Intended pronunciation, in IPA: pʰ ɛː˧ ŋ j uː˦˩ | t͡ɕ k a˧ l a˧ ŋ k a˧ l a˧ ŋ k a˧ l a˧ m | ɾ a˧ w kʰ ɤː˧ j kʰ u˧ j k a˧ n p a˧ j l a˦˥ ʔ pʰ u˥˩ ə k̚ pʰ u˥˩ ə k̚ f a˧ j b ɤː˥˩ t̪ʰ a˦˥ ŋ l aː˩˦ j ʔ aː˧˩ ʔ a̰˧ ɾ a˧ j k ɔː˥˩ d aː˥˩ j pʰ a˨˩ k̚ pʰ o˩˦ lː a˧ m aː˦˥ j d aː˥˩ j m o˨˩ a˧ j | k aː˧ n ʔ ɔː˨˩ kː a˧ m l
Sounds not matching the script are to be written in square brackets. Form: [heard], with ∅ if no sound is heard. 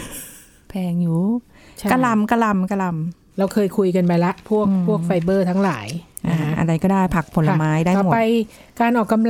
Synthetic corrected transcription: pʰ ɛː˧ ŋ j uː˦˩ | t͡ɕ k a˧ l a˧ [m] k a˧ l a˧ [m] k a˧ l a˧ m | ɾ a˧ w kʰ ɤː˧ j kʰ u˧ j k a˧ n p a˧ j l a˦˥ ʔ pʰ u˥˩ ə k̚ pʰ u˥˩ ə k̚ f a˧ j b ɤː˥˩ t̪ʰ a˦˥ ŋ l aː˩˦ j ʔ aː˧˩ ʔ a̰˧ ɾ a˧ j k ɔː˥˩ d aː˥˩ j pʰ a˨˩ k̚ pʰ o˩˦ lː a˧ m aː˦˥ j d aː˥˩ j m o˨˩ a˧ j | k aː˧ n ʔ ɔː˨˩ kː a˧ m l